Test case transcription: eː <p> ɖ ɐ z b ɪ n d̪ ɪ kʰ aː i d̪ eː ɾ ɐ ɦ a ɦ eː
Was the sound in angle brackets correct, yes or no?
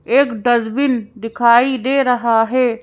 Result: no